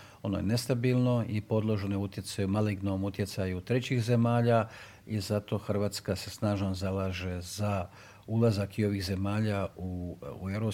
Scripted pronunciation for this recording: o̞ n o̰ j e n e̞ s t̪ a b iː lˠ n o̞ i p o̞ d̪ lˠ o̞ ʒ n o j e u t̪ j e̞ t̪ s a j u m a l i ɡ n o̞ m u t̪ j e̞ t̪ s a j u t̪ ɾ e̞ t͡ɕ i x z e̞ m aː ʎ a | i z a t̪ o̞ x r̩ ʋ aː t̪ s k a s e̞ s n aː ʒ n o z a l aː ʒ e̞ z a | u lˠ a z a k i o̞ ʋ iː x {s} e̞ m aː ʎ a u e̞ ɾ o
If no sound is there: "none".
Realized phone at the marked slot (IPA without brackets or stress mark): z